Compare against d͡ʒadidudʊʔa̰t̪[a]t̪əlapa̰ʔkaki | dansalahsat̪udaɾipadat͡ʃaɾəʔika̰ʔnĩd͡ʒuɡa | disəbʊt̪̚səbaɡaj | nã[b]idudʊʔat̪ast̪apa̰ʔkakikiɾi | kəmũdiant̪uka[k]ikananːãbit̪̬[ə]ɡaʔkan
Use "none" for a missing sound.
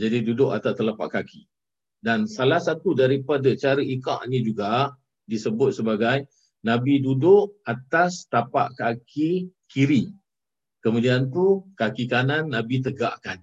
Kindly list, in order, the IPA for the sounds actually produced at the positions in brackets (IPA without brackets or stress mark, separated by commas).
a, b, k, ə